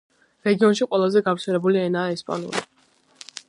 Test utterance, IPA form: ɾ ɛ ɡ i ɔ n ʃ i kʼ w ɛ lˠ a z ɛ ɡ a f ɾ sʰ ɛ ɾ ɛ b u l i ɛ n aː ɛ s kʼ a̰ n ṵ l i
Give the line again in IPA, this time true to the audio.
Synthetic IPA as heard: ɾ ɛ ɡ i ɔ n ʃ i qʼ w ɛ lˠ a z ɛ ɡ a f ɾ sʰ ɛ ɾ ɛ b u l i ɛ n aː ɛ s pʼ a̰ n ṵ l i